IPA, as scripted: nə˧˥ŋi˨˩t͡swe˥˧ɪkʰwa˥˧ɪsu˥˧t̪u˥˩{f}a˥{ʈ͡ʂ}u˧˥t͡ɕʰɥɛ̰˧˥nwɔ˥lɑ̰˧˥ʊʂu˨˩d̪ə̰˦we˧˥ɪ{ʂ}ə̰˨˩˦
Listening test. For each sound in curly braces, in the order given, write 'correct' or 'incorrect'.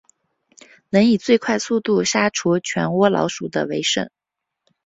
incorrect: ʂ, incorrect: ʈ͡ʂʰ, correct

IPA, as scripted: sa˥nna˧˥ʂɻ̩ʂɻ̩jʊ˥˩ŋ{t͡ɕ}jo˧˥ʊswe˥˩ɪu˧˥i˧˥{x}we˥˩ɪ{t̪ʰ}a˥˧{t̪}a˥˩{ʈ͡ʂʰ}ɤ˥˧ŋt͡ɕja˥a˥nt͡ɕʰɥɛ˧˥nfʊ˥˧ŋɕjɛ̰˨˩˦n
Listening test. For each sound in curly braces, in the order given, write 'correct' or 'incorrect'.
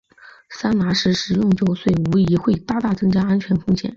correct, correct, incorrect: t̪, correct, incorrect: ʈ͡ʂ

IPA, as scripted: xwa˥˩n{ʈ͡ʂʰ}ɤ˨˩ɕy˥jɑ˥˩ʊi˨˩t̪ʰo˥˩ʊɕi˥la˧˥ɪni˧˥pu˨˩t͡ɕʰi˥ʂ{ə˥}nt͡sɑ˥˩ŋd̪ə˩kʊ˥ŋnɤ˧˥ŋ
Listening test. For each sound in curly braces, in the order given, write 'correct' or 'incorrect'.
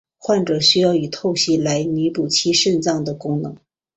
incorrect: ʈ͡ʂ, incorrect: ə˥˧

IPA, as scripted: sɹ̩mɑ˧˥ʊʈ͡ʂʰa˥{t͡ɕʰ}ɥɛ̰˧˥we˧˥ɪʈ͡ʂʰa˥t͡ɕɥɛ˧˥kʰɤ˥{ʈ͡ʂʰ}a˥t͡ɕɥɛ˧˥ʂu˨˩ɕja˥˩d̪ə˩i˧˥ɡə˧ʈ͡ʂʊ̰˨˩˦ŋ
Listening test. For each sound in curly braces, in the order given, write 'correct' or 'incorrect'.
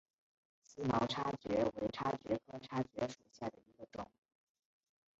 incorrect: t͡ɕ, correct

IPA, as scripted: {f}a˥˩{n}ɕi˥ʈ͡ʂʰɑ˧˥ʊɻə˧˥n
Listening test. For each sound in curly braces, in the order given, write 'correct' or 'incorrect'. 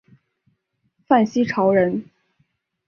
correct, correct

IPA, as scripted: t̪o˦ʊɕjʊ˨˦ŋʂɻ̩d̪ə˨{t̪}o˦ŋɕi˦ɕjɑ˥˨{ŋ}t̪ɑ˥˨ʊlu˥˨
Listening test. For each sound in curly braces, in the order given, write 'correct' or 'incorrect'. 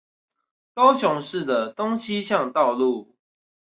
correct, correct

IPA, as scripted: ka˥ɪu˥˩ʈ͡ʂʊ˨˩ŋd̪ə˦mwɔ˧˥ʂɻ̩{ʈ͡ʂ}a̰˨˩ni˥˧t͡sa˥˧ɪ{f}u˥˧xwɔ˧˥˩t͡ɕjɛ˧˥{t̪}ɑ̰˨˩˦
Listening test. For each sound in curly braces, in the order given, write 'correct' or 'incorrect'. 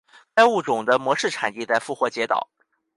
incorrect: ʈ͡ʂʰ, correct, correct

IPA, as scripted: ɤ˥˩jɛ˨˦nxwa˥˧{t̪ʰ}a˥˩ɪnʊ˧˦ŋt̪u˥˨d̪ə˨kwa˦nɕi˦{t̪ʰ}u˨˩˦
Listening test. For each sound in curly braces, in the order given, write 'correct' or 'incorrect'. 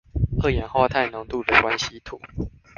correct, correct

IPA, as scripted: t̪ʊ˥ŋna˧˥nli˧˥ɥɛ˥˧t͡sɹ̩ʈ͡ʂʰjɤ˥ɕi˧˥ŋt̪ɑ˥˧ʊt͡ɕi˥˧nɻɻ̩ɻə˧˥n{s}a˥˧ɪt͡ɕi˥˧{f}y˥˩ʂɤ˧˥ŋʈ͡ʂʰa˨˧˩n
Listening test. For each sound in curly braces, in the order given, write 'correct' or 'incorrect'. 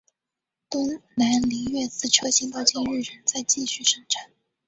incorrect: t͡s, incorrect: ɕ

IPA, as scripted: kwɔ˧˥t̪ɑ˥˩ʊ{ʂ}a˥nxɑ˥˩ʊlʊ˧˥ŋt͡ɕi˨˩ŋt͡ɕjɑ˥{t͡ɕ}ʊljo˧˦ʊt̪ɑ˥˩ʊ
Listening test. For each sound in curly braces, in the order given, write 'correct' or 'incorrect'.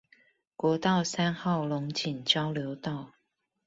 incorrect: s, incorrect: none

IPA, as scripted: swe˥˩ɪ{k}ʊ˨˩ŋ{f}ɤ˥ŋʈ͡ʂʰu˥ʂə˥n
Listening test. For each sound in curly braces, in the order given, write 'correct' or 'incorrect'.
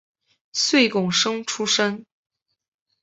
correct, incorrect: ʂ

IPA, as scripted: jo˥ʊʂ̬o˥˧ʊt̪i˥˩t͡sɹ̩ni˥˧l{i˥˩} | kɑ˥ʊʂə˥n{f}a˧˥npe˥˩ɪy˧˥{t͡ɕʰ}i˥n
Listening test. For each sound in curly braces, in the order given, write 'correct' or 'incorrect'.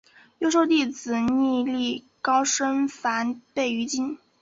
correct, correct, incorrect: t͡ɕ

